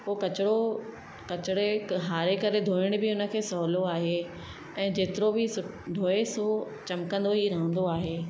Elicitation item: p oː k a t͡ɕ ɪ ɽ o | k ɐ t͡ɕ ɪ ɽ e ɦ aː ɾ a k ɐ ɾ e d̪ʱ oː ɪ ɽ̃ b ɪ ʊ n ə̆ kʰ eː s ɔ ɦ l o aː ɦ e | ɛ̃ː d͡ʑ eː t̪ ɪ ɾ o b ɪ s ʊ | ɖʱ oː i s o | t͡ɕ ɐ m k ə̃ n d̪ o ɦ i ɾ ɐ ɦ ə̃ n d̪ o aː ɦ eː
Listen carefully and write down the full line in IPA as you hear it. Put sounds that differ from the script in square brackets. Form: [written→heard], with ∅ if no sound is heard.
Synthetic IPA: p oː k [a→ɐ] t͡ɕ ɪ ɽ o | k ɐ t͡ɕ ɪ ɽ e ɦ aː ɾ [a→e] k ɐ ɾ e d̪ʱ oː ɪ ɽ̃ b ɪ ʊ n ə̆ kʰ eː s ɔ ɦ l o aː ɦ e | ɛ̃ː d͡ʑ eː t̪ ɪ ɾ o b ɪ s ʊ | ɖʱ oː [i→e] s o | t͡ɕ ɐ m k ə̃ n d̪ o ɦ i ɾ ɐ ɦ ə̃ n d̪ o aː ɦ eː